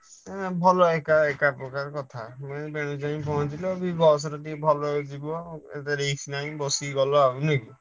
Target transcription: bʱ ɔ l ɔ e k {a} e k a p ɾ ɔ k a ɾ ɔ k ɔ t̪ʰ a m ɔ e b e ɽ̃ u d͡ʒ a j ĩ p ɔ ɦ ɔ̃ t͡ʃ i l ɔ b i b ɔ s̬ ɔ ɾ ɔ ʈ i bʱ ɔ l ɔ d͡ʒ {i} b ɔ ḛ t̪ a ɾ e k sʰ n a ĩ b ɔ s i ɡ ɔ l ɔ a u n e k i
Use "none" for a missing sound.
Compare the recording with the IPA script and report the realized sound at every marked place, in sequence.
a, i

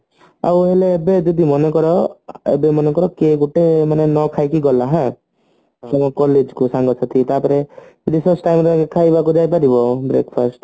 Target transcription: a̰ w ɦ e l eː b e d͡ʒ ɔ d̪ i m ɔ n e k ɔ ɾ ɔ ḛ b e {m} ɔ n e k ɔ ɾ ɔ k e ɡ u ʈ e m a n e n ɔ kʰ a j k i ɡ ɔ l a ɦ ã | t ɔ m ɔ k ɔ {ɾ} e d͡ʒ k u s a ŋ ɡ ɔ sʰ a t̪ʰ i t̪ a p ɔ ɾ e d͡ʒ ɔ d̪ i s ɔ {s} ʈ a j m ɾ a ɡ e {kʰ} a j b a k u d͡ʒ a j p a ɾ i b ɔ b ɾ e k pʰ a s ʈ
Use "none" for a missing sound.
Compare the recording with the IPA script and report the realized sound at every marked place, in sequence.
m, l, s, kʰ

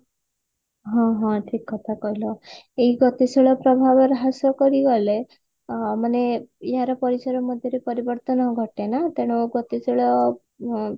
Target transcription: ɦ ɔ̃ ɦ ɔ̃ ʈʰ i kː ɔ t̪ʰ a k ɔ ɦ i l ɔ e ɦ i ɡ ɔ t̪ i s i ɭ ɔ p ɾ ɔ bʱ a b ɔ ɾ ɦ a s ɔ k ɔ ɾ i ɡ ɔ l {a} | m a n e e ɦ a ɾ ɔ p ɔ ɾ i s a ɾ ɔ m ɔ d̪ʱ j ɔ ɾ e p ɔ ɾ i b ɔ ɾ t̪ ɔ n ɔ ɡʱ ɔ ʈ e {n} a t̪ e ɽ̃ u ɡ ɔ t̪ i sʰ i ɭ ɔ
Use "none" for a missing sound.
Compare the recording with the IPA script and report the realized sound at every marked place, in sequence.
e, n

